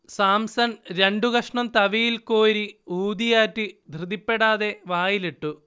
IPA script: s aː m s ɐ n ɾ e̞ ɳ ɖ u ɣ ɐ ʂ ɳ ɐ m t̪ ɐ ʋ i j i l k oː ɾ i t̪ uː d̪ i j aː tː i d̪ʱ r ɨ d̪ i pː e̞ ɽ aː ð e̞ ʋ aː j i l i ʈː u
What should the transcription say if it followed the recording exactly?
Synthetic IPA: s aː m s ɐ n ɾ e̞ ɳ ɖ u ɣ ɐ ʂ ɳ ɐ m t̪ ɐ ʋ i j i l k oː ɾ i uː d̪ i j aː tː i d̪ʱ r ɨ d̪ i pː e̞ ɽ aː ð e̞ ʋ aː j i l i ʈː u